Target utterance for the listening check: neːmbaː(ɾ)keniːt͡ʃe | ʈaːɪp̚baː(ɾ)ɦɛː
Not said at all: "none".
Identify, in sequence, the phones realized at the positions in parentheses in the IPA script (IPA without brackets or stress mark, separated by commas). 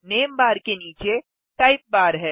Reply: ɾ, ɾ